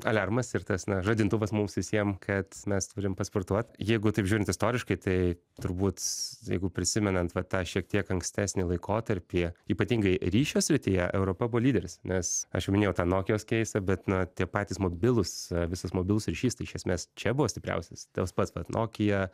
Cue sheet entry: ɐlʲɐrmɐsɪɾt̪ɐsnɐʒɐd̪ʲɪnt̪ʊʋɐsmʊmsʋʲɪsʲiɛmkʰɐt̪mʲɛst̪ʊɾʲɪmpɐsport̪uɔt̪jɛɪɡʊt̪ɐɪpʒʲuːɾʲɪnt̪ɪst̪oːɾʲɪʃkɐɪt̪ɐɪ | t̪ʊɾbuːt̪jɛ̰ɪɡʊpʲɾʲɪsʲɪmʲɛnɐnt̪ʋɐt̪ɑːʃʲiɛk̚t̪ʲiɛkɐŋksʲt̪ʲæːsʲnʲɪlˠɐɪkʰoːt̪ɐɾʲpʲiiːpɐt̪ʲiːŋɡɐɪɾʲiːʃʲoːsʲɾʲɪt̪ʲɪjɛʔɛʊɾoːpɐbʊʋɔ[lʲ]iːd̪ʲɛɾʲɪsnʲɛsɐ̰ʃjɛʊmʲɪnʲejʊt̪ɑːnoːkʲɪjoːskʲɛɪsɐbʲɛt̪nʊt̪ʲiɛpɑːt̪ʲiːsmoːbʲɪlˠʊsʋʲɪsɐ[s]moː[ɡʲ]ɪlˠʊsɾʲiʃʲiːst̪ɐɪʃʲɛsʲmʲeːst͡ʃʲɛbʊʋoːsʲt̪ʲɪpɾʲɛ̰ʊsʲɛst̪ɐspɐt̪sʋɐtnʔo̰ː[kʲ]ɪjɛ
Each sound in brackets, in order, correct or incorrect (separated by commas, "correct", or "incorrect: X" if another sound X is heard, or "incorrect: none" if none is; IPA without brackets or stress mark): correct, correct, incorrect: bʲ, correct